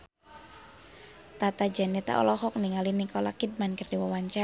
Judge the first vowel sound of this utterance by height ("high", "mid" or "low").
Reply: low